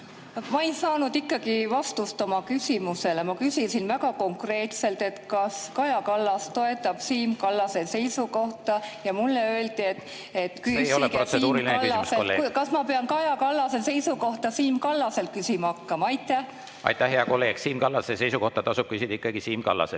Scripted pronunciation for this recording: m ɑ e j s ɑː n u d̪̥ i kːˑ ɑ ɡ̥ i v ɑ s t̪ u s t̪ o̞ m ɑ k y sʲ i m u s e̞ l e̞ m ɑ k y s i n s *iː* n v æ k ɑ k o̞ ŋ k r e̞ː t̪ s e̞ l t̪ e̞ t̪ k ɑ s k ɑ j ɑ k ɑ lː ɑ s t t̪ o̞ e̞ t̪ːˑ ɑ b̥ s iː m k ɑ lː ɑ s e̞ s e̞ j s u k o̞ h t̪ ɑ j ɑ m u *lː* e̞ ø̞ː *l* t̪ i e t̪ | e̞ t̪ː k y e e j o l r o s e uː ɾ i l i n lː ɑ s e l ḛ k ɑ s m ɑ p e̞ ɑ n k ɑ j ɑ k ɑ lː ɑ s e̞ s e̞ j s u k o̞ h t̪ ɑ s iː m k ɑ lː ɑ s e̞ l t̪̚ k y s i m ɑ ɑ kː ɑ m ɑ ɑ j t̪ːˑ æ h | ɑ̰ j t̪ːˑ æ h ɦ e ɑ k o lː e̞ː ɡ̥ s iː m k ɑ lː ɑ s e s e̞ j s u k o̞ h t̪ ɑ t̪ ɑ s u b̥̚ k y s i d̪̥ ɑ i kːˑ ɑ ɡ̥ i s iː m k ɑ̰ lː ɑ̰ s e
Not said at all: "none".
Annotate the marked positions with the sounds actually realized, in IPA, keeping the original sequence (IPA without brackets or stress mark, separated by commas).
i, lː, l